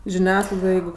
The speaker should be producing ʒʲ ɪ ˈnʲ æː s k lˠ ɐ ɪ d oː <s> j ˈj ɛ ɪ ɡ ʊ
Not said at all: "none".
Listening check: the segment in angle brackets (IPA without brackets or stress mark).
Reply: none